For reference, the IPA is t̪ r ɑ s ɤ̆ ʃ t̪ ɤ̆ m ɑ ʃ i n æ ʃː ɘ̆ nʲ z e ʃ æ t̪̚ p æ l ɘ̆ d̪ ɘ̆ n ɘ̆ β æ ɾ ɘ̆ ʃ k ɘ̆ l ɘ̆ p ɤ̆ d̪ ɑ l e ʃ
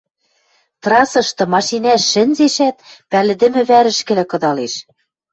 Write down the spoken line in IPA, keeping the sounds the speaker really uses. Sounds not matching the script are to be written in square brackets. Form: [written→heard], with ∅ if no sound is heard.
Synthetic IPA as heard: t̪ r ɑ s ɤ̆ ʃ t̪ ɤ̆ m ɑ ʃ i n æ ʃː ɘ̆ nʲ z e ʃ æ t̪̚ p æ l ɘ̆ d̪ ɘ̆ [n→m] ɘ̆ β æ ɾ ɘ̆ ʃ k ɘ̆ l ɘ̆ [p→k] ɤ̆ d̪ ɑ l e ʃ